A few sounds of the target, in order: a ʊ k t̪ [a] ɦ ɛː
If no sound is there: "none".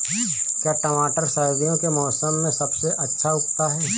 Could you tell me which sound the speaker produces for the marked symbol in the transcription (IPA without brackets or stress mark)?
a